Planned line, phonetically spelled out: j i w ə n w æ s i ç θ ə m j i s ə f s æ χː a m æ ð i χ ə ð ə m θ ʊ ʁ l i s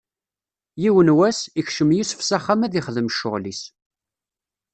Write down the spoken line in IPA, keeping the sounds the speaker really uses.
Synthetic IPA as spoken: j i w ə n w æ s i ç ʃ ə m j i s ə f s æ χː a m æ ð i χ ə ð ə m ʃ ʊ ʁ l i s

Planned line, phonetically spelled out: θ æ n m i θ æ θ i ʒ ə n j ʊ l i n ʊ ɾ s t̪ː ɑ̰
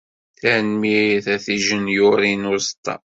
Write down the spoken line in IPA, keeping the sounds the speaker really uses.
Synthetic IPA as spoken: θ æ n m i θ æ θ i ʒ ə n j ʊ ɾ i n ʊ ɾ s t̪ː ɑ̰

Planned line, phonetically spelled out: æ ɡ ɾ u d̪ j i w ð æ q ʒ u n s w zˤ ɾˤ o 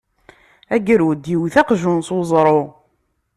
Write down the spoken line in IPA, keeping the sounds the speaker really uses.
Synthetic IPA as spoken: æ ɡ ɾ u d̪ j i w θ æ q ʒ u n s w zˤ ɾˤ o

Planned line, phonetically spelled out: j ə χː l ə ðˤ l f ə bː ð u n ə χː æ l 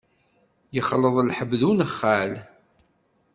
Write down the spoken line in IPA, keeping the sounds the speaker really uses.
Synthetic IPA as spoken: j ə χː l ə ðˤ l ħ ə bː ð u n ə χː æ l

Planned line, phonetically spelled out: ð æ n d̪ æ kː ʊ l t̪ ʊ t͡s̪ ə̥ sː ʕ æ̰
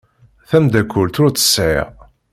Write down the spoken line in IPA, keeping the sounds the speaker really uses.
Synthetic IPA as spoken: θ æ m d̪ æ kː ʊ l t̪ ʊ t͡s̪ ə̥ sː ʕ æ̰

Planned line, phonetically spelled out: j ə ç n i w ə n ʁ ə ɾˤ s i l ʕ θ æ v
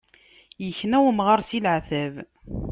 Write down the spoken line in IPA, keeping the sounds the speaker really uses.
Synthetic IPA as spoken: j ə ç n æ w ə m ʁ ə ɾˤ s i l ʕ θ æ v

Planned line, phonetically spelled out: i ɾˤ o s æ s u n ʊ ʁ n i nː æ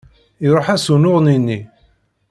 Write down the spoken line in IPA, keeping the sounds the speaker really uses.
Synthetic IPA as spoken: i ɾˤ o ħ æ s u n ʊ ʁ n i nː i

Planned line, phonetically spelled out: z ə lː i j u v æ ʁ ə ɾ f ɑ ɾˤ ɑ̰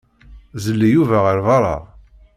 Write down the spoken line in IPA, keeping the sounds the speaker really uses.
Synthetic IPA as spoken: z ə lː i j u v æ ʁ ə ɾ v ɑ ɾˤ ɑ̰

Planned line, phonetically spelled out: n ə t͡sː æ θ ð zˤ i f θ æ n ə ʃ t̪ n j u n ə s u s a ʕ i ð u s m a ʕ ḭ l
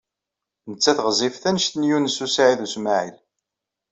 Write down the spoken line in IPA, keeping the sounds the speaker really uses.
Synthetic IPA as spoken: n ə t͡sː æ θ ʁ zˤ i f θ æ n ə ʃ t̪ n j u n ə s u s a ʕ i ð u s m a ʕ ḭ l

